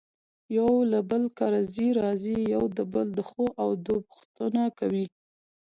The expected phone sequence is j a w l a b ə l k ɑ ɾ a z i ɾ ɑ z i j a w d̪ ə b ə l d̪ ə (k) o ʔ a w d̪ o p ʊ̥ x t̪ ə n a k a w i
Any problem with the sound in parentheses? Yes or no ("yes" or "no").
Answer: yes